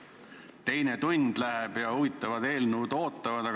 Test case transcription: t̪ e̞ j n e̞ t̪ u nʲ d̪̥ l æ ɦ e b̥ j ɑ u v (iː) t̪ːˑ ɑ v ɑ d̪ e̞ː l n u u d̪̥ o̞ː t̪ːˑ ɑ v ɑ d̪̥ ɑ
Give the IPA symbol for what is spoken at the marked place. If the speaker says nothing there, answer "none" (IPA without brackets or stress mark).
i